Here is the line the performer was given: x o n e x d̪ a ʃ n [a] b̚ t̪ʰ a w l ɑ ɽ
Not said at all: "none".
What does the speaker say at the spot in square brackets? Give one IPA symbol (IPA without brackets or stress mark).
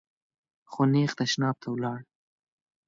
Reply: ɑ